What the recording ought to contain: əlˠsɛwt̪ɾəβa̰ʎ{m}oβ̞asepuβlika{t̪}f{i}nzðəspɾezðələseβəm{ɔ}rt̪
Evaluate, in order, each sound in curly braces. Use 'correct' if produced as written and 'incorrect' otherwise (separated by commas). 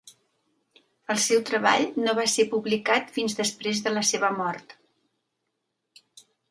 incorrect, correct, correct, correct